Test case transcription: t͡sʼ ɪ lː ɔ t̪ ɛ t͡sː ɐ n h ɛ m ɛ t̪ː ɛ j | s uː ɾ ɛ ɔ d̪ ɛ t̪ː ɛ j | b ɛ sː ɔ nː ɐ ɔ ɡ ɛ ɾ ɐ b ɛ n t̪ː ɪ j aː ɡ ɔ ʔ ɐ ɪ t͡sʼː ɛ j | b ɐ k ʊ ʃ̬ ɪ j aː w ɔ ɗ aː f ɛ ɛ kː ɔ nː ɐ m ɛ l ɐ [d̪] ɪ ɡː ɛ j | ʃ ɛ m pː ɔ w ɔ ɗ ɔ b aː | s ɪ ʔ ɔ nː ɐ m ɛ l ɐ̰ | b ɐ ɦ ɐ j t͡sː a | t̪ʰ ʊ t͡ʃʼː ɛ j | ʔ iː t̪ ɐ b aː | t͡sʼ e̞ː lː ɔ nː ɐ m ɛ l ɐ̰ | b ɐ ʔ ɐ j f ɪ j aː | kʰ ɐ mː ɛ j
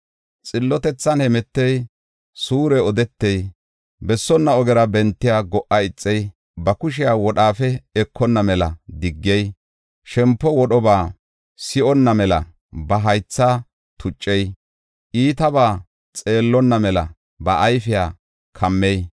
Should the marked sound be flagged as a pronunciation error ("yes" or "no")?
no